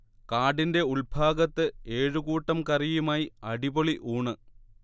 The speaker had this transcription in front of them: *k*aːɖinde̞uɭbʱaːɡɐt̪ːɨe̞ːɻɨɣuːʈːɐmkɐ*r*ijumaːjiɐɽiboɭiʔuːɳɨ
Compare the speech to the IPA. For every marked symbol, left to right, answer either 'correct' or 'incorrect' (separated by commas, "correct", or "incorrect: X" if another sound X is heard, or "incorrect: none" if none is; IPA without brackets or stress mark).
correct, correct